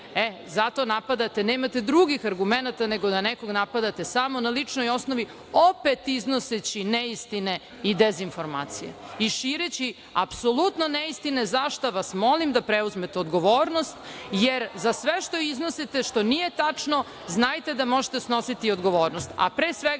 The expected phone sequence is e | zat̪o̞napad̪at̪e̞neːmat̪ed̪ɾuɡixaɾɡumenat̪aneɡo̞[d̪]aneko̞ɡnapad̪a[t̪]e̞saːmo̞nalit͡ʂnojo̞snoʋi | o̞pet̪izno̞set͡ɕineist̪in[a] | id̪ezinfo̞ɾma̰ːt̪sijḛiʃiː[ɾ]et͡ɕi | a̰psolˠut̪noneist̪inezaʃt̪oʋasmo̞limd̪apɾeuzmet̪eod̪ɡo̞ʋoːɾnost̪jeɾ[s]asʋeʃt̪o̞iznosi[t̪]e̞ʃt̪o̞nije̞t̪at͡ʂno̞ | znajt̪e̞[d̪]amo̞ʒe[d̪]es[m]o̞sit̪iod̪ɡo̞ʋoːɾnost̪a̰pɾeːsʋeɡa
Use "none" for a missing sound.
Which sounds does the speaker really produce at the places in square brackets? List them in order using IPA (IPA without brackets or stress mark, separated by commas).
d̪, t̪, e, ɾ, z, t̪, d̪, t̪, n